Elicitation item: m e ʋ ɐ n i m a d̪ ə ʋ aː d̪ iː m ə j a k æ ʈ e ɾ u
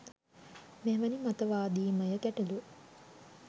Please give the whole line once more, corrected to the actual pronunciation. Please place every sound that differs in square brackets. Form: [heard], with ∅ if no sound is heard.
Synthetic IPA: m e ʋ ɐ n i m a [t̪] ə ʋ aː d̪ iː m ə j [ə] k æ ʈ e [l] u